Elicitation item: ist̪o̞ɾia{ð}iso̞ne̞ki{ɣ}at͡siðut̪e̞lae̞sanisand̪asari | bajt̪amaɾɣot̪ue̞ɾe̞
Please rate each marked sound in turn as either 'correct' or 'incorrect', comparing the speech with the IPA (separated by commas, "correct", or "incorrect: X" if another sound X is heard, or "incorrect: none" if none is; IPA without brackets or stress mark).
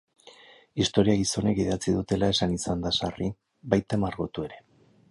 incorrect: ɣ, incorrect: ð